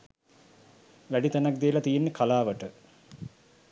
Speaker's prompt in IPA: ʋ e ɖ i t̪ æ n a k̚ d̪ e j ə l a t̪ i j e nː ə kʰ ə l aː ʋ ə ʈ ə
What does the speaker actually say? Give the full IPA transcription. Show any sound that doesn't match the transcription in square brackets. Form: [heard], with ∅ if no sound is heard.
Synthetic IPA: ʋ [æ] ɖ i t̪ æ n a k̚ d̪ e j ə l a t̪ i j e nː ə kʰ [a] l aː ʋ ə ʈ ə

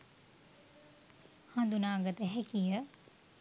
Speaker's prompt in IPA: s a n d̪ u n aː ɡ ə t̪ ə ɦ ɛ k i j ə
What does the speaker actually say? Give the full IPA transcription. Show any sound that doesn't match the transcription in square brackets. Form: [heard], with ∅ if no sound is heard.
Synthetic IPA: [h] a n d̪ u n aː ɡ ə t̪ ə ɦ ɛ k i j ə

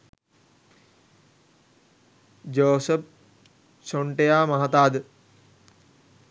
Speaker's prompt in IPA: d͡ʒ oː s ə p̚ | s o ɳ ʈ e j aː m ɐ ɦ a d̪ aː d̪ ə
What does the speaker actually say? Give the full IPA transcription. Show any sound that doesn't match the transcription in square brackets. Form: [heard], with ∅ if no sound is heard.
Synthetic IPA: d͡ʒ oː s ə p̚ | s o ɳ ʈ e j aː m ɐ ɦ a [t̪] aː d̪ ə

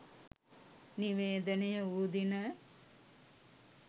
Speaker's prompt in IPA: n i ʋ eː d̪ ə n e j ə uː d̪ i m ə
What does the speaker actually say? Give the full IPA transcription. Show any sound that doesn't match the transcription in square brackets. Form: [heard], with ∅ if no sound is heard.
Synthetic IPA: n i ʋ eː d̪ ə n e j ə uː d̪ i [n] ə

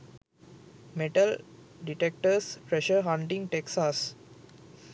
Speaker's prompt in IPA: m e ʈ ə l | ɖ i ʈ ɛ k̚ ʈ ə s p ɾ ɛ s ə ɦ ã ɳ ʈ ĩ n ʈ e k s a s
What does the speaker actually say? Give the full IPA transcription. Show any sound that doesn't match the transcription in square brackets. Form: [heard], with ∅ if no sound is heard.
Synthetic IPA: m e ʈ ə l | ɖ i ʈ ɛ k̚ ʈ ə s p ɾ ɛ [ʃ] ə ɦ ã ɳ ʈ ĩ [ŋ] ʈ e k s a s

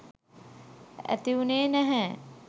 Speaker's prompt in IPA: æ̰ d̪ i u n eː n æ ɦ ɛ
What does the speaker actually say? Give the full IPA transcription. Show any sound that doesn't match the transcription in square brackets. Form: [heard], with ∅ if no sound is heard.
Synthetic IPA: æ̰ [t̪] i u n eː n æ ɦ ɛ

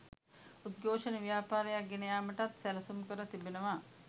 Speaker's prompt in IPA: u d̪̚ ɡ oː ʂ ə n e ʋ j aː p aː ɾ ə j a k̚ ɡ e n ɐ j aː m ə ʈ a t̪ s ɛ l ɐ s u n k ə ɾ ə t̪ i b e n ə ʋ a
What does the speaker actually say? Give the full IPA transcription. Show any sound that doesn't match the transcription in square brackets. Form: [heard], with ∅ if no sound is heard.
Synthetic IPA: u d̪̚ ɡ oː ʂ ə n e ʋ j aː p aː ɾ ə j a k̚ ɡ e n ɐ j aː m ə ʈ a t̪ s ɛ l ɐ s u [m] k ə ɾ ə t̪ i b e n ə ʋ a

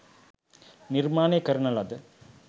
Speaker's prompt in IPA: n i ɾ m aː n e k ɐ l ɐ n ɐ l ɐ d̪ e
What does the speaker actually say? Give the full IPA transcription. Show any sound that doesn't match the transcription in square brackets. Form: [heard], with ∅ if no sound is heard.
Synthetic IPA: n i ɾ m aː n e k ɐ [ɾ] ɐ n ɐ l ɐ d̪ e

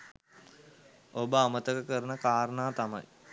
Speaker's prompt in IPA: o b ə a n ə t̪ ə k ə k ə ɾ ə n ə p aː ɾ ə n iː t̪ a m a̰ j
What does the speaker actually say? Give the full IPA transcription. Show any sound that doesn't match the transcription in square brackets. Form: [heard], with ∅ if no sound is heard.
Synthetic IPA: o b ə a [m] ə t̪ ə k ə k ə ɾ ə n ə [k] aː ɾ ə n [aː] t̪ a m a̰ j

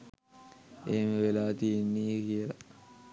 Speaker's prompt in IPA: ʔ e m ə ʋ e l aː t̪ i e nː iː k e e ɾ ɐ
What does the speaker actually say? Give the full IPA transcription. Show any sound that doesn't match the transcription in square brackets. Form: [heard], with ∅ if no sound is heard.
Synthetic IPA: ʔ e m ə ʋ e l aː t̪ i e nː iː k [i] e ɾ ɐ

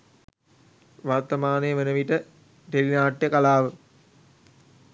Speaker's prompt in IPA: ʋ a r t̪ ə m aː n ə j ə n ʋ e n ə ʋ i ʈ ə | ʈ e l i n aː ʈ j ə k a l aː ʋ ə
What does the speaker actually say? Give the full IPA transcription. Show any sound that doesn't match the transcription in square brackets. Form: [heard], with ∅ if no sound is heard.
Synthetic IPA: ʋ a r t̪ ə m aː n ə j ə [∅] ʋ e n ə ʋ i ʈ ə | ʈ e l i n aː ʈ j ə k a l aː ʋ ə

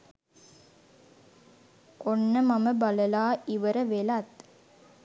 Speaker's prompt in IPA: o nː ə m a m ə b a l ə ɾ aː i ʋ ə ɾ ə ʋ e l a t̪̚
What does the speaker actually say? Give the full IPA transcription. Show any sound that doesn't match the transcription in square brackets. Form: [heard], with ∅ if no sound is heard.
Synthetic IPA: o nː ə m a m ə b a l ə [l] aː i ʋ ə ɾ ə ʋ e l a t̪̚

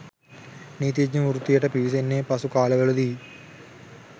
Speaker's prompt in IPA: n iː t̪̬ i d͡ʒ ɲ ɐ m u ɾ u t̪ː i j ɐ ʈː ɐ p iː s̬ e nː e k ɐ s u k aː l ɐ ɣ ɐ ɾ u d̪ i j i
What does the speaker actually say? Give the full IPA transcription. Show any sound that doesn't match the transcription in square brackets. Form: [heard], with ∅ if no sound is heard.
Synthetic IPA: n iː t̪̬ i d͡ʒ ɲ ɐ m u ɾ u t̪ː i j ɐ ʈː ɐ p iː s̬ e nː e [p] ɐ s u k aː l ɐ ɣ ɐ [ɭ] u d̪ i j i

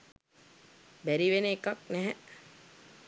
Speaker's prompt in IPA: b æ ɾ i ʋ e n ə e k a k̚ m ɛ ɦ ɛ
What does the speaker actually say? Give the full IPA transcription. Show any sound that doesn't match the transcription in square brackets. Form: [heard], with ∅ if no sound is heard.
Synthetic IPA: b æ ɾ i ʋ e n ə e k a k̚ [n] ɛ ɦ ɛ

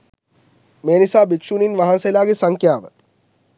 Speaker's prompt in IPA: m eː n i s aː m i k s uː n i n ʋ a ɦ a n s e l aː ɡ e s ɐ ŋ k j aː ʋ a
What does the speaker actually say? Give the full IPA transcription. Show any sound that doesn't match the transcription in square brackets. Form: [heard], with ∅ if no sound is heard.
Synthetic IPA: m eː n i s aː [b] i k [ʂ] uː n i n ʋ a ɦ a n s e l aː ɡ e s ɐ ŋ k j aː ʋ [ə]

